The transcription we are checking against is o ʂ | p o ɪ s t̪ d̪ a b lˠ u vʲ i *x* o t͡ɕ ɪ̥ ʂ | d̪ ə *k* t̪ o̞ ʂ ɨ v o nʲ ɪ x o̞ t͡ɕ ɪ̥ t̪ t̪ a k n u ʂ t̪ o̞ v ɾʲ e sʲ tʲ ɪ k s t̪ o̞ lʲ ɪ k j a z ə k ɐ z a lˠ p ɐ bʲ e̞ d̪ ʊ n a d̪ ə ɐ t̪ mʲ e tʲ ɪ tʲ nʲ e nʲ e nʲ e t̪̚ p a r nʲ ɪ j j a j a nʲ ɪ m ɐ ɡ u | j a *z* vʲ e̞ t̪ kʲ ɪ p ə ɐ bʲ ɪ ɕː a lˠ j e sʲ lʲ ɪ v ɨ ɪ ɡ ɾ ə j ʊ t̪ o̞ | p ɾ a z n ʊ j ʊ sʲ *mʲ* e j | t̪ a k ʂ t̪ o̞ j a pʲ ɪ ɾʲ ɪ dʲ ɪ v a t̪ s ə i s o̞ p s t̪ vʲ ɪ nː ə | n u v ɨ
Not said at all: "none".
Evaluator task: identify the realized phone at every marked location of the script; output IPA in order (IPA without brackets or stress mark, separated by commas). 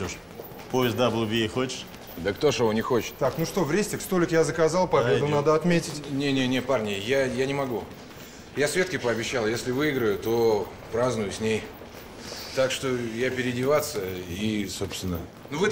x, k, s, nʲ